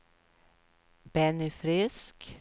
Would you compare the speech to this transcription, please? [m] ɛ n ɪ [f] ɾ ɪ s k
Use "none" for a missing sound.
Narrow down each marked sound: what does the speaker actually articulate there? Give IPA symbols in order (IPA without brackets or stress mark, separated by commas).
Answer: b, f